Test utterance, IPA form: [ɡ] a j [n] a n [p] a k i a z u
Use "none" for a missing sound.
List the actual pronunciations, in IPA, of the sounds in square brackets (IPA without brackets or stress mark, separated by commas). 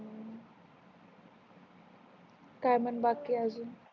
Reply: k, m, b